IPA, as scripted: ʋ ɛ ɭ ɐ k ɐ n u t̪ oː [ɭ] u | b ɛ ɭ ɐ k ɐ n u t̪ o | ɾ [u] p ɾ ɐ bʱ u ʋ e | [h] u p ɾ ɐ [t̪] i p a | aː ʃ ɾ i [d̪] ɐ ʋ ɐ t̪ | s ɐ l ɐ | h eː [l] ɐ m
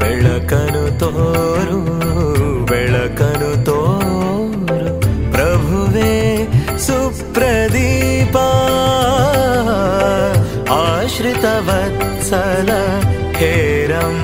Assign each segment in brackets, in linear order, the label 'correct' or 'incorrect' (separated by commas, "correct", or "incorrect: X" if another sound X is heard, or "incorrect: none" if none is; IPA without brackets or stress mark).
incorrect: ɾ, correct, incorrect: s, incorrect: d̪, incorrect: t̪, incorrect: ɾ